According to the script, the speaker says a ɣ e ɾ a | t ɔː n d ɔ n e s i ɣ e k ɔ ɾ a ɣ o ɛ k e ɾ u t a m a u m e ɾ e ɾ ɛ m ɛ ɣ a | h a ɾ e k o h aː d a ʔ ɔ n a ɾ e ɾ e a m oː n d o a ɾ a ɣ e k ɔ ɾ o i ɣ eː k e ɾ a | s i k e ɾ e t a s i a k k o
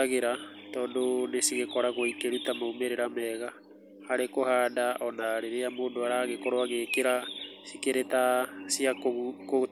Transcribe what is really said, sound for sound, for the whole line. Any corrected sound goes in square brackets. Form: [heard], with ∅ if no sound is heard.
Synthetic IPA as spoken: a ɣ e ɾ a | t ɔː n d [o] n e s i ɣ e k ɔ ɾ a ɣ o [i] k e ɾ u t a m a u m e ɾ e ɾ [a] m ɛ ɣ a | h a ɾ e k o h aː d a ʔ ɔ n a ɾ e ɾ e a m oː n d o a ɾ a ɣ e k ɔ ɾ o [a] ɣ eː k e ɾ a | s i k e ɾ e t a s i a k k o